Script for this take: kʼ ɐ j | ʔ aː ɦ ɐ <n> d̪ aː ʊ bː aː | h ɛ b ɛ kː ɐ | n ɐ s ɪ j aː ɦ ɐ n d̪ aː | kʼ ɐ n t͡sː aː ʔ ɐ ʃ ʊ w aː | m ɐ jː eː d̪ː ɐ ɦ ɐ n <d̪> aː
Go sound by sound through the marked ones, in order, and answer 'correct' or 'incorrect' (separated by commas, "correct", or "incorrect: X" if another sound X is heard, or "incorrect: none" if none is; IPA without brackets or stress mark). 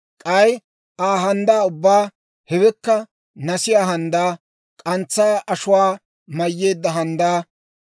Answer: correct, correct